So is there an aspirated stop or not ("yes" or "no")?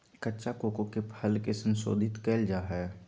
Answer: yes